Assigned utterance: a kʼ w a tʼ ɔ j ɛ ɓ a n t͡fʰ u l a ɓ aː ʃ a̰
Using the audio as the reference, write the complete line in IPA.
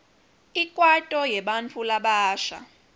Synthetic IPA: i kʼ w a tʼ ɔ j ɛ ɓ a n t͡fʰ u l a ɓ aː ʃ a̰